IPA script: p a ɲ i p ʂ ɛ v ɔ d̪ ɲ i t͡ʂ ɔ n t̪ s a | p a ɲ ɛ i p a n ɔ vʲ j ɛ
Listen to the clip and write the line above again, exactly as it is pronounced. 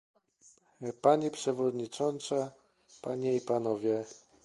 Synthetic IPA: p a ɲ i p ʂ ɛ v ɔ d̪ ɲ i t͡ʂ ɔ n t̪ s a | p a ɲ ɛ i p a n ɔ vʲ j ɛ